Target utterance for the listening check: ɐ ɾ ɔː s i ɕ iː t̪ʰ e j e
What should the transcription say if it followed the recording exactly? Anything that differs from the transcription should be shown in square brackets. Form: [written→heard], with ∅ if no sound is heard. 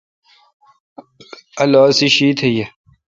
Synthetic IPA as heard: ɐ [ɾ→l] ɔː s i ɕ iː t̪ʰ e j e